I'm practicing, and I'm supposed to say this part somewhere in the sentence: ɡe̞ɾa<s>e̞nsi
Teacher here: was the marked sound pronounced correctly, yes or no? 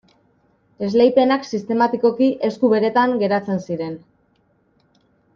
no